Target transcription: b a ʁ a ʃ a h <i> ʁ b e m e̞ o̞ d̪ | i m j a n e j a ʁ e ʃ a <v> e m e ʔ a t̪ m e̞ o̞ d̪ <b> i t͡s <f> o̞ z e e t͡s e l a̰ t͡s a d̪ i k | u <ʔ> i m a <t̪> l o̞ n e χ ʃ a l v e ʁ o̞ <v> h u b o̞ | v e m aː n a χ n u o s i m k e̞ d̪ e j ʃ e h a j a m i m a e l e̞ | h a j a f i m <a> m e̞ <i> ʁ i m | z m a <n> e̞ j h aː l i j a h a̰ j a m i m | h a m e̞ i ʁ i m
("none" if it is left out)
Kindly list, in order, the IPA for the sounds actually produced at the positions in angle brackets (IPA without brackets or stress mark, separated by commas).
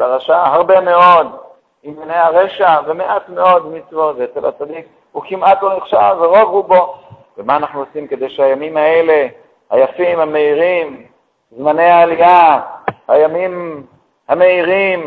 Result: a, v, m, v, k, t̪, v, a, i, n